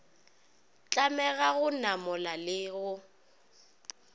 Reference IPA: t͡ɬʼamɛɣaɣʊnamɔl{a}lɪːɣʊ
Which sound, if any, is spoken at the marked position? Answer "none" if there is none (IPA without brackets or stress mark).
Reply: a